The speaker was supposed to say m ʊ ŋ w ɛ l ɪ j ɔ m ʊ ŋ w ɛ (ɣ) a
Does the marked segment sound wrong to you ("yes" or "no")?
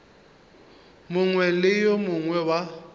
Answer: yes